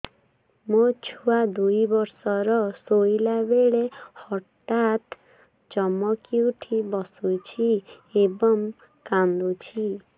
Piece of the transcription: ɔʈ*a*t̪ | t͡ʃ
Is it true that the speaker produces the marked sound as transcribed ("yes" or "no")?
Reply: yes